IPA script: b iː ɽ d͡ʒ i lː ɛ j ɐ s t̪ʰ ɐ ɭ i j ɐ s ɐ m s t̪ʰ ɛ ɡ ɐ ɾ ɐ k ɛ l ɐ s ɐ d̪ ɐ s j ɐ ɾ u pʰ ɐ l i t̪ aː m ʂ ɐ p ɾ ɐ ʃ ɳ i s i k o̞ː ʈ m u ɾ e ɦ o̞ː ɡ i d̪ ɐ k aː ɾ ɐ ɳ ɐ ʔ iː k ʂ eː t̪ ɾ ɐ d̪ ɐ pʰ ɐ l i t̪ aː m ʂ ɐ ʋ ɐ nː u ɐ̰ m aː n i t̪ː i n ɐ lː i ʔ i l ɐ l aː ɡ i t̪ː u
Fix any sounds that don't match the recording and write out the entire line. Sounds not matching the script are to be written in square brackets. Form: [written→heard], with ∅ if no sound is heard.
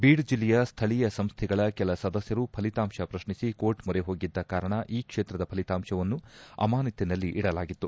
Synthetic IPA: b iː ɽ d͡ʒ i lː ɛ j ɐ s t̪ʰ ɐ ɭ i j ɐ s ɐ m s t̪ʰ ɛ ɡ ɐ [ɾ→ɭ] ɐ k ɛ l ɐ s ɐ d̪ ɐ s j ɐ ɾ u pʰ ɐ l i t̪ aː m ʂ ɐ p ɾ ɐ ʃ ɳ i s i k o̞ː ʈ m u ɾ e ɦ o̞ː ɡ i [d̪→d̪ː] ɐ k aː ɾ ɐ ɳ ɐ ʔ iː k ʂ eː t̪ ɾ ɐ d̪ ɐ pʰ ɐ l i t̪ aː m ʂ ɐ ʋ ɐ nː u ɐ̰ m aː n i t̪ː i n ɐ lː i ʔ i [l→ɽ] ɐ l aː ɡ i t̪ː u

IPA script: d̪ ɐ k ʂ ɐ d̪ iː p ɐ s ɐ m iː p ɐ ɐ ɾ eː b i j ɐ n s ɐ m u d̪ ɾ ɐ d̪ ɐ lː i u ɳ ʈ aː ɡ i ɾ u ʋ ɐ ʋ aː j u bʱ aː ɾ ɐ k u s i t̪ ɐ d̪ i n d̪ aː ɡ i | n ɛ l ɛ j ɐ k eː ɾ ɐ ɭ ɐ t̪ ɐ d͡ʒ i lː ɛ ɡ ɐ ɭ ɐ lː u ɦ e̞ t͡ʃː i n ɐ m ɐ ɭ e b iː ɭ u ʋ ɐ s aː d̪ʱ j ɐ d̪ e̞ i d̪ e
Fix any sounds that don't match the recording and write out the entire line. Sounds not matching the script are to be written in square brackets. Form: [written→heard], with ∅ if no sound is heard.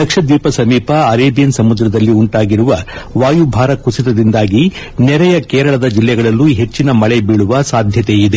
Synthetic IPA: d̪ ɐ k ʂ ɐ d̪ iː p ɐ s ɐ m iː p ɐ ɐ ɾ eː b i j ɐ n s ɐ m u d̪ ɾ ɐ d̪ ɐ lː i u ɳ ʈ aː ɡ i ɾ u ʋ ɐ ʋ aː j u bʱ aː ɾ ɐ k u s i t̪ ɐ d̪ i n d̪ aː ɡ i | n ɛ [l→ɾ] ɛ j ɐ k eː ɾ ɐ ɭ ɐ [t̪→d̪] ɐ d͡ʒ i lː ɛ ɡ ɐ ɭ ɐ lː u ɦ e̞ t͡ʃː i n ɐ m ɐ ɭ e b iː ɭ u ʋ ɐ s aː d̪ʱ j ɐ [d̪→t̪] e̞ i d̪ e

